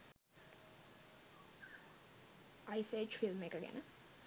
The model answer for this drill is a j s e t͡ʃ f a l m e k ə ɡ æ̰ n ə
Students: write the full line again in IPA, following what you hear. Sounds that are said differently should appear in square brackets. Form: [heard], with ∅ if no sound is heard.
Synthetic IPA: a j s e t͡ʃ f [i] l m e k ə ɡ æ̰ n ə